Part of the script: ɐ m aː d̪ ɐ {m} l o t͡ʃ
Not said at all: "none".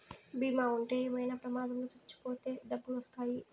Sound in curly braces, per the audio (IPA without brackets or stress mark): m